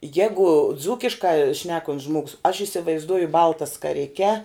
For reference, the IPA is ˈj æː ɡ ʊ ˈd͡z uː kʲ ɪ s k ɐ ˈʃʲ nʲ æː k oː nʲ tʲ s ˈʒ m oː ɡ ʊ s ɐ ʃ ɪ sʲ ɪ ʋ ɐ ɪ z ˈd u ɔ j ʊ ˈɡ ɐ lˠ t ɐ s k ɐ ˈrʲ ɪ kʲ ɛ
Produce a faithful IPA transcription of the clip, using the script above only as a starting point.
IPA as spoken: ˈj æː ɡ ʊ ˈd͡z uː kʲ ɪ ʃ k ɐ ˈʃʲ nʲ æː k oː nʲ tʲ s ˈʒ m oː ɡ ʊ s ɐ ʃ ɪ sʲ ɪ ʋ ɐ ɪ z ˈd u ɔ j ʊ ˈb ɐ lˠ t ɐ s k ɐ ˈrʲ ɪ kʲ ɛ